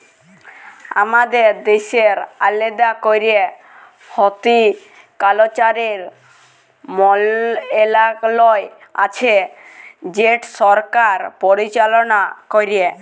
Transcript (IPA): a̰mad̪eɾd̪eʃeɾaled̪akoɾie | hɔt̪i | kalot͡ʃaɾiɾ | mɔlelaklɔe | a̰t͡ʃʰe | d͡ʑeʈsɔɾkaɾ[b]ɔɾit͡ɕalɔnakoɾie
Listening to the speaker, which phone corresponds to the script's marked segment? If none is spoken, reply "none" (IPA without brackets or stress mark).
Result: p